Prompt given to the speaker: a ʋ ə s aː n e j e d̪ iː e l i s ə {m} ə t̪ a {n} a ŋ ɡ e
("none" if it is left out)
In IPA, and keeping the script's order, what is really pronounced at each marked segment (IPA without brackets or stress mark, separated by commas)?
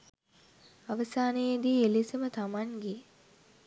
m, m